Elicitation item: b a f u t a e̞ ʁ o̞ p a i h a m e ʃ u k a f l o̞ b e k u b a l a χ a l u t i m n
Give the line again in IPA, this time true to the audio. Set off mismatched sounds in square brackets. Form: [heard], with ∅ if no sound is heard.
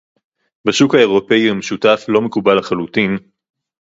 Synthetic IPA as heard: b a [ʃ] u [k] a e̞ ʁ o̞ p [e] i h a m e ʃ u [t] a f l o̞ [m] e k u b a l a χ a l u t i [∅] n